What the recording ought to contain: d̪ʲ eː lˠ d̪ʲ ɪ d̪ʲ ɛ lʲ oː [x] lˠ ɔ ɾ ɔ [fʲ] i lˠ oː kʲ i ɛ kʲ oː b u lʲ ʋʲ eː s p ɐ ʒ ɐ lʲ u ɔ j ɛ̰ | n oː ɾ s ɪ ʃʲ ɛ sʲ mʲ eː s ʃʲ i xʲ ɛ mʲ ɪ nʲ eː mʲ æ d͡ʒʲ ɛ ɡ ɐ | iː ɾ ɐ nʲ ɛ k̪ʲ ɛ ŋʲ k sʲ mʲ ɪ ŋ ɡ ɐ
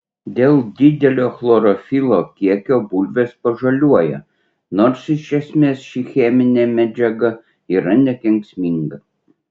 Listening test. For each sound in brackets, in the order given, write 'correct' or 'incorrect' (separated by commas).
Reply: correct, correct